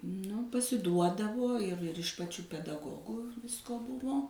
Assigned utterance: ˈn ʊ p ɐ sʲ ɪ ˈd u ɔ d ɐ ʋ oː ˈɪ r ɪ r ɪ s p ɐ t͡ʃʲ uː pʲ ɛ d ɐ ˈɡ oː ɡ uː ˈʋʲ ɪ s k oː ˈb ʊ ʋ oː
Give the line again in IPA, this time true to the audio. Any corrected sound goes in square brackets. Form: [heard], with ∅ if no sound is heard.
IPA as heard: ˈn ʊ p ɐ sʲ ɪ ˈd u ɔ d ɐ ʋ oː ˈɪ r ɪ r ɪ [ʃ] p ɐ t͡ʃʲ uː pʲ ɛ d ɐ ˈɡ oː ɡ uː ˈʋʲ ɪ s k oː ˈb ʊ ʋ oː